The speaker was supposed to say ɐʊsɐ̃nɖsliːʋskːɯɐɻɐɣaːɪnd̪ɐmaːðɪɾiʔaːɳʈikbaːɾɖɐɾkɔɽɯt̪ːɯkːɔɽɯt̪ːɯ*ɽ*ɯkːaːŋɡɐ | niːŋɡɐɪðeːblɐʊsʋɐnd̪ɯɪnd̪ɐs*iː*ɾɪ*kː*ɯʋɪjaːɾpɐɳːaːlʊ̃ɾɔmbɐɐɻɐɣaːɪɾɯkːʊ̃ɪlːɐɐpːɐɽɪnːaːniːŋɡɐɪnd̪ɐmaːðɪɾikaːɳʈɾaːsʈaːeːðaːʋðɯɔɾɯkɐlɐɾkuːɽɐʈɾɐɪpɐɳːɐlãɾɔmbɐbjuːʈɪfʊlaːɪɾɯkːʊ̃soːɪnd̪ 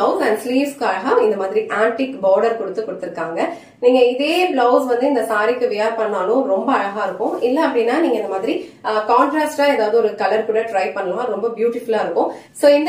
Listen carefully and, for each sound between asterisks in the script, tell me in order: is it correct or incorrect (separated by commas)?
incorrect, incorrect, correct